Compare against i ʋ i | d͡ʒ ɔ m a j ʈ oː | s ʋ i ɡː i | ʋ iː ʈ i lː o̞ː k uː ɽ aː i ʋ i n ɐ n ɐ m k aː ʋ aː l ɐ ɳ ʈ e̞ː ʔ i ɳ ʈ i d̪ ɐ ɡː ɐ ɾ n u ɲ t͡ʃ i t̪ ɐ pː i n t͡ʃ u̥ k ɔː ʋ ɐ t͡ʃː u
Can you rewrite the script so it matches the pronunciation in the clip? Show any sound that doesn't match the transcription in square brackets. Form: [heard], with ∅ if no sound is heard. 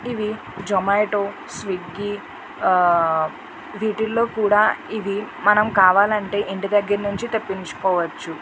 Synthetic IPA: i ʋ i | d͡ʒ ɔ m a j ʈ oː | s ʋ i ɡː i | ʋ iː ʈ i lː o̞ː k uː ɽ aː i ʋ i [m] ɐ n ɐ m k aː ʋ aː l ɐ ɳ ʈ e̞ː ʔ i ɳ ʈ i d̪ ɐ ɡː ɐ ɾ n u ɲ t͡ʃ i t̪ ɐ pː i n t͡ʃ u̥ k ɔː ʋ ɐ t͡ʃː u